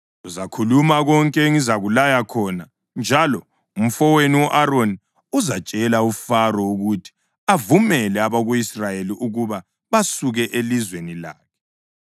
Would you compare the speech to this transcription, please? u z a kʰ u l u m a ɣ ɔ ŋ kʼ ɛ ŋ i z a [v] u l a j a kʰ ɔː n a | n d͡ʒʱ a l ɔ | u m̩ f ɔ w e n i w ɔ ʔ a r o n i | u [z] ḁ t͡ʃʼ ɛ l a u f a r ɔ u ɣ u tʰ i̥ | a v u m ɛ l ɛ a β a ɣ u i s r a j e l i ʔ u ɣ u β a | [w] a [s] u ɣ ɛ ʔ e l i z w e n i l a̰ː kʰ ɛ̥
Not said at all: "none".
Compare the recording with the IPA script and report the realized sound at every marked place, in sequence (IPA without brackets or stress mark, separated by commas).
ɣ, z, β, s